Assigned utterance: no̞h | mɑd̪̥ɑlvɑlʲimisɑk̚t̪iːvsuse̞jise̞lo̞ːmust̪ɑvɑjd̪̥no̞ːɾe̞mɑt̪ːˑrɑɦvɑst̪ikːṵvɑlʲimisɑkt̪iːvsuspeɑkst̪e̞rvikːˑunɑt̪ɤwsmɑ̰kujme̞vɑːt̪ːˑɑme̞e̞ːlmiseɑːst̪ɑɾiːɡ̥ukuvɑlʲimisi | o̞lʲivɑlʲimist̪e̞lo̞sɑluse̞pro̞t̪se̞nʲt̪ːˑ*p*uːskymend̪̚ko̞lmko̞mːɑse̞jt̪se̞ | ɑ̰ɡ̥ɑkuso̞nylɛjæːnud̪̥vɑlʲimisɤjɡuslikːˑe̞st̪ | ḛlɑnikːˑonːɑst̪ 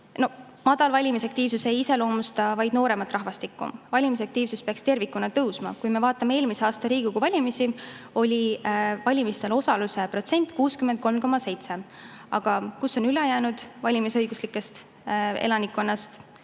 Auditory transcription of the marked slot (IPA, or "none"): k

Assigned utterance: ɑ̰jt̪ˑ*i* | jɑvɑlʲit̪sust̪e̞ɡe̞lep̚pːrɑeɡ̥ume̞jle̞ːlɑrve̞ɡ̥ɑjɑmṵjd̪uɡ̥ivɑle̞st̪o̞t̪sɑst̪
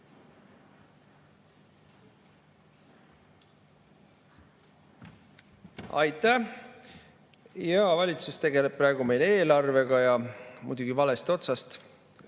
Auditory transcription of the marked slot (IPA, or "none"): æ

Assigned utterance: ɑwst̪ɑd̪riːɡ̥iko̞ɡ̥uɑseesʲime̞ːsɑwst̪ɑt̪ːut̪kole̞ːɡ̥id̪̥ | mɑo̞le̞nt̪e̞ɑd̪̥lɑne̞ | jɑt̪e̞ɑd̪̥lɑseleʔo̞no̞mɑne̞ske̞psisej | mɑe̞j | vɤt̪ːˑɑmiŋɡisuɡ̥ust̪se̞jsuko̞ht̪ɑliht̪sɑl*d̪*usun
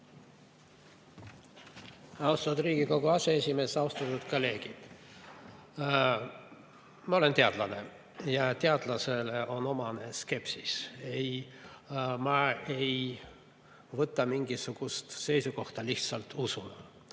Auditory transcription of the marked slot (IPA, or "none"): t̪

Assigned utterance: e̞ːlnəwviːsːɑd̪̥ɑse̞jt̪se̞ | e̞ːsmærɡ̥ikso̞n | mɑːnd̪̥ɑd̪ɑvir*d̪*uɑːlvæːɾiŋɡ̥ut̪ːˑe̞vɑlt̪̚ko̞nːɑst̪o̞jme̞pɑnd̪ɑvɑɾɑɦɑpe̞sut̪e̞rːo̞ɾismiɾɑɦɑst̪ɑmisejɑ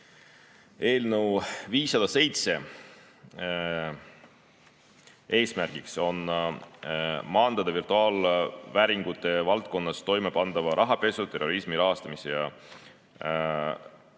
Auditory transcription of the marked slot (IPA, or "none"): t̪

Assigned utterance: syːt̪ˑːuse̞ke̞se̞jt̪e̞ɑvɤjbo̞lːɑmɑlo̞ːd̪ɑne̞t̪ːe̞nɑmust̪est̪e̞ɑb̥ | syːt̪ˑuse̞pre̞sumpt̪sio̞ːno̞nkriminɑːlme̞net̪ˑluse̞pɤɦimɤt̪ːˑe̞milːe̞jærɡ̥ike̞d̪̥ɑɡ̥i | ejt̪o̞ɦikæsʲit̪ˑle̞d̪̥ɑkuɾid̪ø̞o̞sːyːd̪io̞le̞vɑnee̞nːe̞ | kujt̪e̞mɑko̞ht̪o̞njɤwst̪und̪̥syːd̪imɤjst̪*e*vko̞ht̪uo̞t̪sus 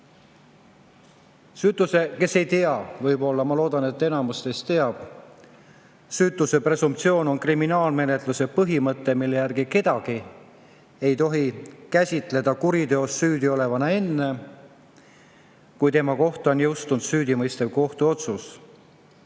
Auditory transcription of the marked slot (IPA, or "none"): e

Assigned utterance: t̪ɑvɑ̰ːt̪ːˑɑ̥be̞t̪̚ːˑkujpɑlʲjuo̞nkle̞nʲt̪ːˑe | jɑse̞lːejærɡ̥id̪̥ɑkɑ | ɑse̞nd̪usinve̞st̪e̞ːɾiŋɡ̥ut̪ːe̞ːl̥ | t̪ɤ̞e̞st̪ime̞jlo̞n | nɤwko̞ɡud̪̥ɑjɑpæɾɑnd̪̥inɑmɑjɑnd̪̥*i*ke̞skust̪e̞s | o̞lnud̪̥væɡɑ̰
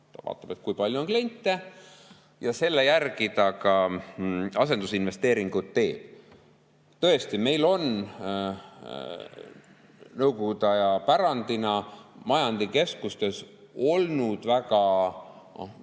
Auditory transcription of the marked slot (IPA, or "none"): i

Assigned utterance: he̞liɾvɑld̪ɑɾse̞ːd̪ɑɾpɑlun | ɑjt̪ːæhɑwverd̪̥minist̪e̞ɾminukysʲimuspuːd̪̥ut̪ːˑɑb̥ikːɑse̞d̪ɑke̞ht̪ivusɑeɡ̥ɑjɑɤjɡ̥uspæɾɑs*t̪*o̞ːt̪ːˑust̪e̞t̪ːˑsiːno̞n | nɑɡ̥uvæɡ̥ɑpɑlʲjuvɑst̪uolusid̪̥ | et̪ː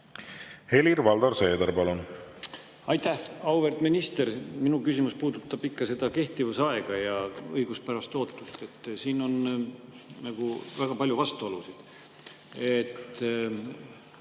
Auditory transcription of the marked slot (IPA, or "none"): t̪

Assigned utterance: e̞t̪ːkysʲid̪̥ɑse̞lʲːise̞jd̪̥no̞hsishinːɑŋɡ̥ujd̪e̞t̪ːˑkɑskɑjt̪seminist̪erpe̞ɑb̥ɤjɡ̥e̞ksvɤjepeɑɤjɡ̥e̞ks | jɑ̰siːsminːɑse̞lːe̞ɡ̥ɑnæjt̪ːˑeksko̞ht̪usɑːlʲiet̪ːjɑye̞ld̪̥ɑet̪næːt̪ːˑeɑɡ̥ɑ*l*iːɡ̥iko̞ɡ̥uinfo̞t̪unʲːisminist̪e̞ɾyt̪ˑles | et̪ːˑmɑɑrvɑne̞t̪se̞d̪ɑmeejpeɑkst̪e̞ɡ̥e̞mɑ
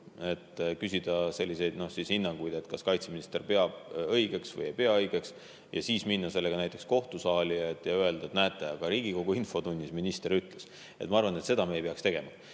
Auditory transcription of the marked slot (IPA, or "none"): ɾ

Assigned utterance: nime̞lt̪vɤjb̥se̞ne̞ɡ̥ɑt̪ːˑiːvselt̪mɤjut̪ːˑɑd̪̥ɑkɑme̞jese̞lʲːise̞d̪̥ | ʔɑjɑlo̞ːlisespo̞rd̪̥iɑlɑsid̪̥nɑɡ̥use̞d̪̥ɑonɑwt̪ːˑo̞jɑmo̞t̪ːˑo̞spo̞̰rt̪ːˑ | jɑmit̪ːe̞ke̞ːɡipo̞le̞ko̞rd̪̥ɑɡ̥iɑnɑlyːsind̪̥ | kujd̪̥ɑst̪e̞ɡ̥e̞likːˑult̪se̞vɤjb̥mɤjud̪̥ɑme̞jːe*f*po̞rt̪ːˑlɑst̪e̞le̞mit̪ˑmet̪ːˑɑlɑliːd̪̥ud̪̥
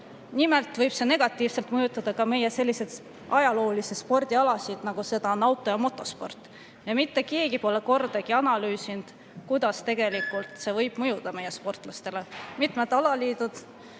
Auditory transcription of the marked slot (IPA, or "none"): s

